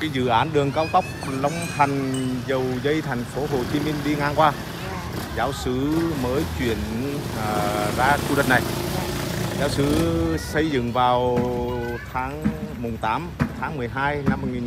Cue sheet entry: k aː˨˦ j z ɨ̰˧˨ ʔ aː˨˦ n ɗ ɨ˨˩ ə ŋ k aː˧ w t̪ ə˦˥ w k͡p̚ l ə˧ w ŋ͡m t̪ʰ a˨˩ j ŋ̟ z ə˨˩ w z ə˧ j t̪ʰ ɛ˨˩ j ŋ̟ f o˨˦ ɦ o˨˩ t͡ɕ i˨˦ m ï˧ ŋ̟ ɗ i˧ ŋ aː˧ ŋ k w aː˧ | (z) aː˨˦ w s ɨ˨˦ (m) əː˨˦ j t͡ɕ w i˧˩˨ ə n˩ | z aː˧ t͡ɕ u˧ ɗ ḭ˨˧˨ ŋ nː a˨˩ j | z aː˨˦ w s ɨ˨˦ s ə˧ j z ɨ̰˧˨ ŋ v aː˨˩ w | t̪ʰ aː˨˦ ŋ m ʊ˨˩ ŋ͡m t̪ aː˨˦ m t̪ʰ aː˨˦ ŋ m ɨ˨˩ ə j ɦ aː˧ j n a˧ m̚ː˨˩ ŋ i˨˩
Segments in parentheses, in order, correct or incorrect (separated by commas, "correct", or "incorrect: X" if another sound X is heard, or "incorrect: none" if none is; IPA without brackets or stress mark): correct, correct